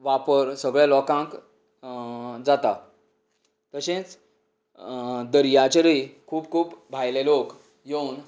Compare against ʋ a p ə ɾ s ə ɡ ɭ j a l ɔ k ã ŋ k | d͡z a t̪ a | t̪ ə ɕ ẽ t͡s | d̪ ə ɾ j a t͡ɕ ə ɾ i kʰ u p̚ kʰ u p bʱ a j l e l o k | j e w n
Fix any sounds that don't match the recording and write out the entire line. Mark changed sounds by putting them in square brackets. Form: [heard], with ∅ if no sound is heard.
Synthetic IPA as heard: ʋ a p ə ɾ s ə ɡ ɭ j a l ɔ k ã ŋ k | d͡z a t̪ a | t̪ ə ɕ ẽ t͡s | d̪ ə ɾ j a t͡ɕ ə ɾ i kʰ [uː] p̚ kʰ [uː] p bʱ a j l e l o k | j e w n